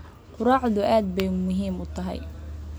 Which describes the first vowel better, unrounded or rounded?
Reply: rounded